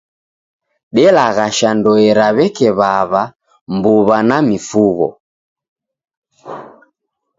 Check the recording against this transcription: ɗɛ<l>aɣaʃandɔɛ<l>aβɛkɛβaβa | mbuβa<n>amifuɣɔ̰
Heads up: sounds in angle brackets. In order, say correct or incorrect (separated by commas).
correct, incorrect, correct